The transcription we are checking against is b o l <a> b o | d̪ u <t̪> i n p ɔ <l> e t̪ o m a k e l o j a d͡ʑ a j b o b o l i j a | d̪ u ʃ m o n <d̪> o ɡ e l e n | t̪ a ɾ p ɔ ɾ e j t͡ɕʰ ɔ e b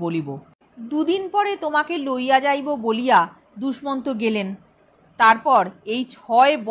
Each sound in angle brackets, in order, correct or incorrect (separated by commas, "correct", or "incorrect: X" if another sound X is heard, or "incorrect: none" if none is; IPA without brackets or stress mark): incorrect: i, incorrect: d̪, incorrect: ɾ, incorrect: t̪